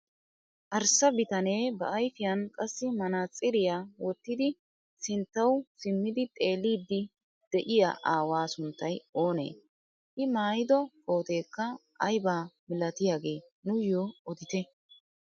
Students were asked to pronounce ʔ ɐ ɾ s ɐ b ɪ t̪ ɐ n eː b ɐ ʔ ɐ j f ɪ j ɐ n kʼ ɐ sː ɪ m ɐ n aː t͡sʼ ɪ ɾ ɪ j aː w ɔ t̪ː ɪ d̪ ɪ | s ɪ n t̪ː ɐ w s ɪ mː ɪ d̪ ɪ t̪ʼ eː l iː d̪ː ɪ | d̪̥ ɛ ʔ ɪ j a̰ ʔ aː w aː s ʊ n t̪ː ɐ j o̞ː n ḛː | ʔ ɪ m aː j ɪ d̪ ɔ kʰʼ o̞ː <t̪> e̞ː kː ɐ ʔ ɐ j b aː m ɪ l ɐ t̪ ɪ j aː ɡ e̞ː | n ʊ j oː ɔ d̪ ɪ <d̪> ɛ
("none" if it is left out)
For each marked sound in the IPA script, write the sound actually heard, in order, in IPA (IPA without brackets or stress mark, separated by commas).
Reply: t̪, t̪